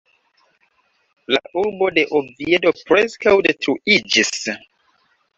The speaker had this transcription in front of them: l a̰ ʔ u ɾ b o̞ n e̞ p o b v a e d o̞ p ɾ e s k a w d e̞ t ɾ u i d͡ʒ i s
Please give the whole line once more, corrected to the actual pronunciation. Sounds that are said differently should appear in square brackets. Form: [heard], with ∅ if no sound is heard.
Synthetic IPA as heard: l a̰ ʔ u ɾ b o̞ [d] e̞ [ʔ] o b v [i] e d o̞ p ɾ e s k a w d e̞ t ɾ u i d͡ʒ i s